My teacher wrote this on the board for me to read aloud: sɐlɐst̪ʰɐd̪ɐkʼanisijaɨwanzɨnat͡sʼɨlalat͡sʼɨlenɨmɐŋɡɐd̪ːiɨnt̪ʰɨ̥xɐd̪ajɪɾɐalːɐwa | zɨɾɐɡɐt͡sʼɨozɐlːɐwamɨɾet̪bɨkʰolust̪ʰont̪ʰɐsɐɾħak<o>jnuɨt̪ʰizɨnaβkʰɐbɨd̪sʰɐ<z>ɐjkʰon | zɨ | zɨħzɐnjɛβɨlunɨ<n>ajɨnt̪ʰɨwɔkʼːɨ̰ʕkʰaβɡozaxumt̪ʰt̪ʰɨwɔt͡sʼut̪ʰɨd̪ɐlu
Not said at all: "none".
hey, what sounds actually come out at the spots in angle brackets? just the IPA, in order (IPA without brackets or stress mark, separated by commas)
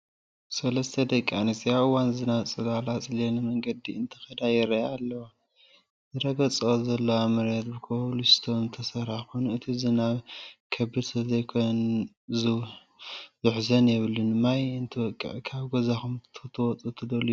o, z, m